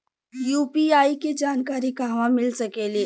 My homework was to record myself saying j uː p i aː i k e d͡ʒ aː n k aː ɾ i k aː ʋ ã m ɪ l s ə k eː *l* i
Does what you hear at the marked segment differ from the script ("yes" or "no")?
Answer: no